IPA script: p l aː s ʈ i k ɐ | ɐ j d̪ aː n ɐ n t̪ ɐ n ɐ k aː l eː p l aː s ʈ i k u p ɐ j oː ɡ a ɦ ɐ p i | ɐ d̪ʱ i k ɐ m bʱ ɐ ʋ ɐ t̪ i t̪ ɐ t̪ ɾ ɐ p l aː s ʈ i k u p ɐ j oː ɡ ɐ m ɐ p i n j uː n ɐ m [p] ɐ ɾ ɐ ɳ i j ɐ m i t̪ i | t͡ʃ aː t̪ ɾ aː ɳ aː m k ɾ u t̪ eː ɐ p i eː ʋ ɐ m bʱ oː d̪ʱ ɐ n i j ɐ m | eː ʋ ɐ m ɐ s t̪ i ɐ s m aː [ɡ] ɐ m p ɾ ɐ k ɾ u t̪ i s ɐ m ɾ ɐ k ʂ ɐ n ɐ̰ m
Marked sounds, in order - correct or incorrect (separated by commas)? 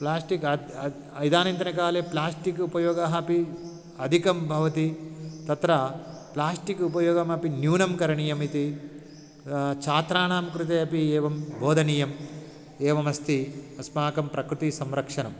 incorrect, incorrect